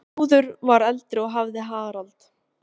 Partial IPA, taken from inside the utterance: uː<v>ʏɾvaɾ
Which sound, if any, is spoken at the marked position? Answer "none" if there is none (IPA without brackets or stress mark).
ð